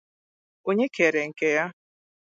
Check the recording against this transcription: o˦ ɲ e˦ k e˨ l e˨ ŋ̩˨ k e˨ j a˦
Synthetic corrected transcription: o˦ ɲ e˦ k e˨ ɾ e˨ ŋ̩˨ k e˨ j a˦